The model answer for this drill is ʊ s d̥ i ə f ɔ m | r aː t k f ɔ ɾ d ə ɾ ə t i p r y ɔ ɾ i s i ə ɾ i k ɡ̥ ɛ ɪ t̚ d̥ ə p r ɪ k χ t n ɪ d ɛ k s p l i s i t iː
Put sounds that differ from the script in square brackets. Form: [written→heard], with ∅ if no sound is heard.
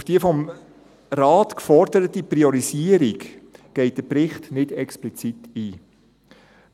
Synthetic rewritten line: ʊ [s→f] d̥ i ə f ɔ m | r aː t k f ɔ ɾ d ə ɾ ə t i p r [y→i] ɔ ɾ i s i ə ɾ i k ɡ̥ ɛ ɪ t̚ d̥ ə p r ɪ [k→∅] χ t n ɪ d ɛ k s p l i [s→t͡s] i t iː